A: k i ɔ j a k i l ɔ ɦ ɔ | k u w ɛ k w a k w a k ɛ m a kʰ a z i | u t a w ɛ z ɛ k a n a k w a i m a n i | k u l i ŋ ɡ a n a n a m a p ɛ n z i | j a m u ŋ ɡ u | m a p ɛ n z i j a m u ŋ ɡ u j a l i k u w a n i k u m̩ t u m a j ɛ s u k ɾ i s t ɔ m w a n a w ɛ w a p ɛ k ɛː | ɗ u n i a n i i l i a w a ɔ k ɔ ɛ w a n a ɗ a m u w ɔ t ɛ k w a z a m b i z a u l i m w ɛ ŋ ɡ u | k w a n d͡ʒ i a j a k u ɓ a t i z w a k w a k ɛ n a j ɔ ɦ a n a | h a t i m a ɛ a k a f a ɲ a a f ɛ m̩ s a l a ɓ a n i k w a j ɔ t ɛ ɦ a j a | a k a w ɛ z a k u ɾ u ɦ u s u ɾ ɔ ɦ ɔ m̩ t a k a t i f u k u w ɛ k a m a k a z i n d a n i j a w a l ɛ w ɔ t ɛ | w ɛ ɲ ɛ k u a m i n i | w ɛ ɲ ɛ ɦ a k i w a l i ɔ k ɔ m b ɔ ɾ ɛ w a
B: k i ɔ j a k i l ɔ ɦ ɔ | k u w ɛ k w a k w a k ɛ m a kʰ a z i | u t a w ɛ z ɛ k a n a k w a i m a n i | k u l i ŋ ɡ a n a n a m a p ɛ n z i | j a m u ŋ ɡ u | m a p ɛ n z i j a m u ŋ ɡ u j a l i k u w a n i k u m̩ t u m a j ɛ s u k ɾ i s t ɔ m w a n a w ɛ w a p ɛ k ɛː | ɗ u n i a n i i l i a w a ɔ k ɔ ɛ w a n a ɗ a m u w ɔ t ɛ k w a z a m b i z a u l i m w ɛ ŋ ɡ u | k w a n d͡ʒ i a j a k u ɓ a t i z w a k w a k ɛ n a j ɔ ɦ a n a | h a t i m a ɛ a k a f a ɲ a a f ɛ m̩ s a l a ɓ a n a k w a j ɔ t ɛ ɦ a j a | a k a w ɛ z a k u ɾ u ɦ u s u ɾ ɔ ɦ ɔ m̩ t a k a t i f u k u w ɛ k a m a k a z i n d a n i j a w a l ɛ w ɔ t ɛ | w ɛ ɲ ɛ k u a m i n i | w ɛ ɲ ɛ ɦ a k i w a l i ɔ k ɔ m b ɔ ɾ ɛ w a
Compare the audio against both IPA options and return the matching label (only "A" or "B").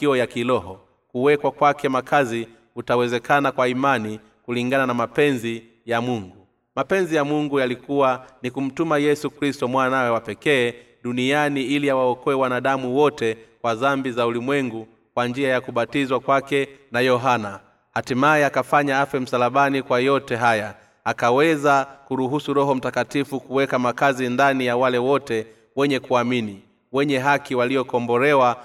A